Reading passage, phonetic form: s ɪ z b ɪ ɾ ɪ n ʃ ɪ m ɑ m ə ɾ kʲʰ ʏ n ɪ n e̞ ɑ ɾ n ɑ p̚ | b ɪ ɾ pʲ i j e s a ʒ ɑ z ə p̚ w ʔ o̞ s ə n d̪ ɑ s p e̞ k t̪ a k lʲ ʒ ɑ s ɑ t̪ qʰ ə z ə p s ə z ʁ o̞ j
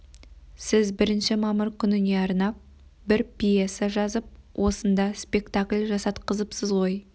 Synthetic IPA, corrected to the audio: s ɪ z b ɪ ɾ ɪ n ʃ ɪ m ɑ m ə ɾ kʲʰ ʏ n ɪ n e̞ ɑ ɾ n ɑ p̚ | b ɪ ɾ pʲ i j e s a ʒ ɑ z ə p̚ w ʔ o̞ s ə n d̪ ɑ s p e̞ k t̪ a k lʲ ʒ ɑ s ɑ t̪ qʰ ə z ə p s ə z ʁ o̞ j